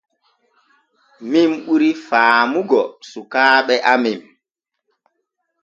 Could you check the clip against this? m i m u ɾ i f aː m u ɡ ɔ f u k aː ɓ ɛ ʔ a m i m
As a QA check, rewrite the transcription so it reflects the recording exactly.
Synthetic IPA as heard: m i m u ɾ i f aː m u ɡ ɔ s u k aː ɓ ɛ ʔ a m i m